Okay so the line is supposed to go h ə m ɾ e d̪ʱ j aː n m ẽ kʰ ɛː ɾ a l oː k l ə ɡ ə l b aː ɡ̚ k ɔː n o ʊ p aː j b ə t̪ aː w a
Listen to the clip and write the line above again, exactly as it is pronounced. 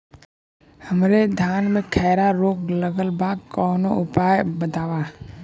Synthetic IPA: h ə m ɾ e d̪ʱ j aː n m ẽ kʰ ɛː ɾ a ɾ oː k l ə ɡ ə l b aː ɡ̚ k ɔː n o ʊ p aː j b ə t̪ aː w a